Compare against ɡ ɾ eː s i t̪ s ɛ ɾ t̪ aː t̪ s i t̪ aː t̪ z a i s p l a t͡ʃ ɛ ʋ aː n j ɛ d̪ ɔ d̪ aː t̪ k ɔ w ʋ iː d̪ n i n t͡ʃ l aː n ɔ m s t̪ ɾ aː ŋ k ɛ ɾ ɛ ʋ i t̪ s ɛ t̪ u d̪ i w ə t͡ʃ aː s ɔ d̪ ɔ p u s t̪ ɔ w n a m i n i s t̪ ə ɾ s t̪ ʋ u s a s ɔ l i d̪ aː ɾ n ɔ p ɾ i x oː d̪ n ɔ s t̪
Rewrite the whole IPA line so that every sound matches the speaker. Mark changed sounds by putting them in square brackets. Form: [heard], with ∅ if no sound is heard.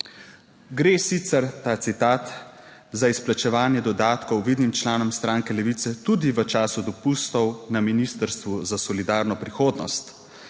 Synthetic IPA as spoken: ɡ ɾ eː s i t̪ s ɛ ɾ t̪ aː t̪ s i t̪ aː t̪ z a i s p l a t͡ʃ ɛ ʋ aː n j ɛ d̪ ɔ d̪ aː t̪ k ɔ w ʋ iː d̪ n i [m] t͡ʃ l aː n ɔ m s t̪ ɾ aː ŋ k ɛ [l] ɛ ʋ i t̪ s ɛ t̪ u d̪ i [ʋ] ə t͡ʃ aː s [u] d̪ ɔ p u s t̪ ɔ w n a m i n i s t̪ ə ɾ s t̪ ʋ u [z] a s ɔ l i d̪ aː ɾ n ɔ p ɾ i x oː d̪ n ɔ s t̪